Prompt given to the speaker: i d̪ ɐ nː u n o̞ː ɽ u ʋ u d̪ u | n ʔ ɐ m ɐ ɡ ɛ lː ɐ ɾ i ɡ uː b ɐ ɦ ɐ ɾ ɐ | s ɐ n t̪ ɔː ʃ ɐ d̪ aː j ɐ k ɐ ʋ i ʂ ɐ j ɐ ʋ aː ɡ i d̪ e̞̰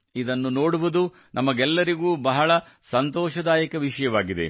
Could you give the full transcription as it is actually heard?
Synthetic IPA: i d̪ ɐ nː u n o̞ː ɽ u ʋ u d̪ u | n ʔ ɐ m ɐ ɡ ɛ lː ɐ ɾ i ɡ uː b ɐ ɦ ɐ ɭ ɐ | s ɐ n t̪ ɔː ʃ ɐ d̪ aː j ɐ k ɐ ʋ i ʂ ɐ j ɐ ʋ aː ɡ i d̪ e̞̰